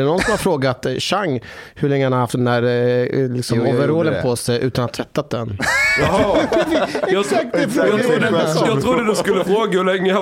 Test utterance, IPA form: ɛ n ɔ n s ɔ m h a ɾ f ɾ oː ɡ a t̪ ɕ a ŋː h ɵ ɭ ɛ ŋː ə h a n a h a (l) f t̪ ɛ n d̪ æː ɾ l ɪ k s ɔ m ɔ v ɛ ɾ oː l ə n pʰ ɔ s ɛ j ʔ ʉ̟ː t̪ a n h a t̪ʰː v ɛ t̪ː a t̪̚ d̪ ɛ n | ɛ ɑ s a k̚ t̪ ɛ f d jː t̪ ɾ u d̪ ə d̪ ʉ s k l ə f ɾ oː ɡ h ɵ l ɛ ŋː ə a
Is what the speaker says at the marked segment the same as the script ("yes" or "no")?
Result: no